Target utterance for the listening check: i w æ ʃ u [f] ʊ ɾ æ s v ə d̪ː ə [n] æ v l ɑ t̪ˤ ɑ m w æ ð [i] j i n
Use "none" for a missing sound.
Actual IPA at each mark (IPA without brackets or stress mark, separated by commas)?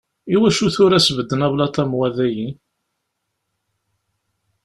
θ, n, æ